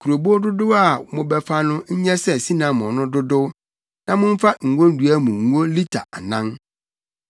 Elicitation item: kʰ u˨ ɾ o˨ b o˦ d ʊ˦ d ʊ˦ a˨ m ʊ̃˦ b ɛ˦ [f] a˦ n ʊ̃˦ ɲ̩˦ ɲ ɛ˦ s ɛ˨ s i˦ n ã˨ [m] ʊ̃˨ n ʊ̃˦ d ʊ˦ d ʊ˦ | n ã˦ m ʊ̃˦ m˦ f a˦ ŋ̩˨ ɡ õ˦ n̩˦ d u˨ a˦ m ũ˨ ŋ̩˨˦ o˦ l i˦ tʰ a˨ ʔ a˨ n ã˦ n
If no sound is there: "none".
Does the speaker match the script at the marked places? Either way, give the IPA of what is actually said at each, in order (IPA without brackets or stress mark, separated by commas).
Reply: f, m